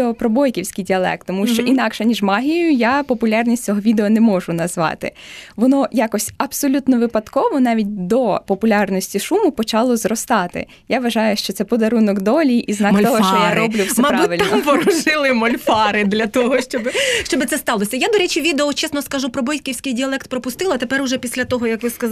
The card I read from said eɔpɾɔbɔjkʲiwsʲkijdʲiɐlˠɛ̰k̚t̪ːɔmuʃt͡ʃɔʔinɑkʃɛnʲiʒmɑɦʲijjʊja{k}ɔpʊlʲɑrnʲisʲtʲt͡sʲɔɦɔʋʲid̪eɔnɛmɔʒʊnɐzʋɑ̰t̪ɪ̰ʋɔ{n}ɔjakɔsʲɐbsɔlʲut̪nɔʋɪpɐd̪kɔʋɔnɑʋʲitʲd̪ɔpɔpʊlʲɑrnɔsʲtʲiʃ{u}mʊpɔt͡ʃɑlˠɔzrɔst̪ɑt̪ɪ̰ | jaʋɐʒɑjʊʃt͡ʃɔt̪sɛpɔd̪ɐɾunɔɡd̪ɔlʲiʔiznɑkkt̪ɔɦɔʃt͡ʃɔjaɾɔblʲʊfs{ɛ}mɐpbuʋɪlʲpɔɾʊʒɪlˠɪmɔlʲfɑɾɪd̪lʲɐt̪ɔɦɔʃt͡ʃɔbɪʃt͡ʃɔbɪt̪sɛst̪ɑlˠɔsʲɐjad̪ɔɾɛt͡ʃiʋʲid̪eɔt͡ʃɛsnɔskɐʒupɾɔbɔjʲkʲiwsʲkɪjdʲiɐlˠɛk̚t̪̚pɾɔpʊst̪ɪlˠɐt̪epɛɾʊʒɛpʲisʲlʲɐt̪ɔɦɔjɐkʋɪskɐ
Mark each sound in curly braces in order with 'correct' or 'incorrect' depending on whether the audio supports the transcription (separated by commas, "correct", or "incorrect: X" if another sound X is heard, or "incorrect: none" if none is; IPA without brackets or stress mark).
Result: incorrect: p, correct, correct, correct